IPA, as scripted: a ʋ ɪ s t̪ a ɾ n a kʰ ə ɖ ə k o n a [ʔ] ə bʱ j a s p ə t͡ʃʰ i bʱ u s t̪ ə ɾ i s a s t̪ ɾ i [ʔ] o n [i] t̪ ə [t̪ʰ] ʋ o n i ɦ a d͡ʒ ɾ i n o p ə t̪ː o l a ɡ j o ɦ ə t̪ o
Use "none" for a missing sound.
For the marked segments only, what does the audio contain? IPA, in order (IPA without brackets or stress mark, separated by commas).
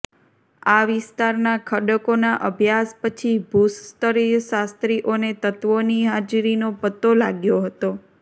ʔ, ʔ, e, t̪